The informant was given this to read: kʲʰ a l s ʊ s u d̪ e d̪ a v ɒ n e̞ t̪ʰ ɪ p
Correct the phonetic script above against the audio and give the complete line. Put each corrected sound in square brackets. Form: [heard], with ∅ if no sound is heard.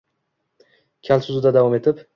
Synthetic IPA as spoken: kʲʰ a l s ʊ [z] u d̪ [a] d̪ a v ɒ [m] e̞ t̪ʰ ɪ p